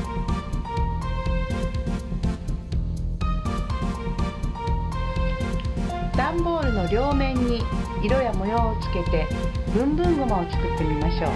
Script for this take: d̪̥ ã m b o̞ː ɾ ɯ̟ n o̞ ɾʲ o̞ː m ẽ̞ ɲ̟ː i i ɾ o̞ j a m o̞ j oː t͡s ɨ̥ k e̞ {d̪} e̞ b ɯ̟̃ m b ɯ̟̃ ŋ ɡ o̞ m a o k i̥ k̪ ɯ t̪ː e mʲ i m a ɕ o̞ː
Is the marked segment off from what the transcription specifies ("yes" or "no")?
yes